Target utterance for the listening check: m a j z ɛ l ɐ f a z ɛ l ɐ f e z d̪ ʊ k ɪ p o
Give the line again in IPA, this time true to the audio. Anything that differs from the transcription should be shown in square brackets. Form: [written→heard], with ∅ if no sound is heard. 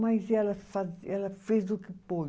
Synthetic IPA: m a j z ɛ l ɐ f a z ɛ l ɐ f e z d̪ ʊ k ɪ p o